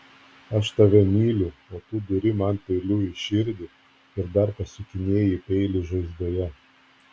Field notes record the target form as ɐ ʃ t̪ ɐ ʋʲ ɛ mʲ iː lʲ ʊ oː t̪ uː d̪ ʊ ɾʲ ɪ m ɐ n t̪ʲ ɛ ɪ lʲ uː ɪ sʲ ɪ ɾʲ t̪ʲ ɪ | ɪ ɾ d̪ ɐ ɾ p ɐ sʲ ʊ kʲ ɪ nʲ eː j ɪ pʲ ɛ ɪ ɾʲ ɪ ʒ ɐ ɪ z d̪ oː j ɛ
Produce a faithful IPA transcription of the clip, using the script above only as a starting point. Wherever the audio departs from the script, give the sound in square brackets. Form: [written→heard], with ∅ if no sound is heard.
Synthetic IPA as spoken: ɐ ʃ t̪ ɐ ʋʲ ɛ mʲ iː lʲ ʊ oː t̪ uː d̪ ʊ ɾʲ ɪ m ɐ n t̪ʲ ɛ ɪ lʲ uː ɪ [sʲ→ʃʲ] ɪ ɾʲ [t̪ʲ→d̪ʲ] ɪ | ɪ ɾ d̪ ɐ ɾ p ɐ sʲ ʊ kʲ ɪ nʲ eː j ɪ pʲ ɛ ɪ [ɾʲ→lʲ] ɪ ʒ ɐ ɪ z d̪ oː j ɛ